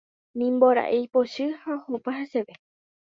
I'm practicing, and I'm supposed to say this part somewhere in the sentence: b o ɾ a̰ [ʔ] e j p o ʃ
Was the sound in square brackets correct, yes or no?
yes